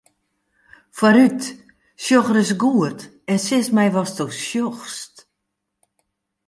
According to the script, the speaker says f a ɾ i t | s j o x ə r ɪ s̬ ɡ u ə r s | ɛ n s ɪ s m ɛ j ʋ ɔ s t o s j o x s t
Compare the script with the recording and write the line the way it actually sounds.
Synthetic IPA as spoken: f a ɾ y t | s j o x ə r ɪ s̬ ɡ u ə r t | ɛ n s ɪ s m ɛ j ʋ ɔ s t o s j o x s t